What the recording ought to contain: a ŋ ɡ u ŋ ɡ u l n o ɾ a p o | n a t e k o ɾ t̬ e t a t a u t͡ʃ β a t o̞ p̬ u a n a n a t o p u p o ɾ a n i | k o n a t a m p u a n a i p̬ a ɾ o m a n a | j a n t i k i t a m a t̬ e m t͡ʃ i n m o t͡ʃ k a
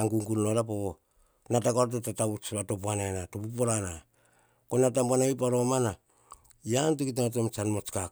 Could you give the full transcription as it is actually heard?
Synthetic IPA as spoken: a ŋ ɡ u ŋ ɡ u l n o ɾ a p o | n a t a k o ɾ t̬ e t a t a u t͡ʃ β a t o̞ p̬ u a n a n a t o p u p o ɾ a n a | k o n a t a m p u a n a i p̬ a ɾ o m a n a | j a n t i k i t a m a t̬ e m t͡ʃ a n m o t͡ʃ k a